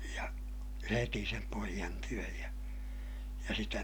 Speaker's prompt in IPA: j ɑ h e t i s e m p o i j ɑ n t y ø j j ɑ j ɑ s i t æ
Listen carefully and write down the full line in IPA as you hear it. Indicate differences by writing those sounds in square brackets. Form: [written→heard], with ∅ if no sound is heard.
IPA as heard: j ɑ h e t i s e m p o i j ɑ n t y ø j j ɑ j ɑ s i t æ